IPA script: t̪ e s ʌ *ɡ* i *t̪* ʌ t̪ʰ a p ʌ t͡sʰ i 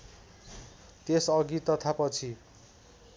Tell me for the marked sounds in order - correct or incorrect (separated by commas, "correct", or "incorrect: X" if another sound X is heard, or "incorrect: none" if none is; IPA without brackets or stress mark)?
correct, correct